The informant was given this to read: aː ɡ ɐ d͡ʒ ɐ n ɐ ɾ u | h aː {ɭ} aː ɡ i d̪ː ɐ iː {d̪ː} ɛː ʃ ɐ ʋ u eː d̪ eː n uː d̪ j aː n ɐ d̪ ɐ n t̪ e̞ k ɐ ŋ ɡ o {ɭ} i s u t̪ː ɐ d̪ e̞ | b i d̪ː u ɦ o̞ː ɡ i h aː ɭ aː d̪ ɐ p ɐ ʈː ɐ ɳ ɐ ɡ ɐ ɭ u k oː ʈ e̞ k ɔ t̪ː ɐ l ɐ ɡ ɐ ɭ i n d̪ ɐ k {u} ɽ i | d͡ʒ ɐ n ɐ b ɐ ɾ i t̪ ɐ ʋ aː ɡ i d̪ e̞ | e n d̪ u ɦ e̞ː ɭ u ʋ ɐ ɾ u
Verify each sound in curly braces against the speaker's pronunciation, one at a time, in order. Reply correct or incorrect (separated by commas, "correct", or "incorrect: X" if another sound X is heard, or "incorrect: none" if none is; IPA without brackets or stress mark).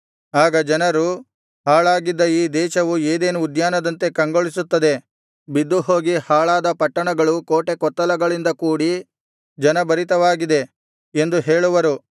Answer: correct, incorrect: d̪, correct, incorrect: uː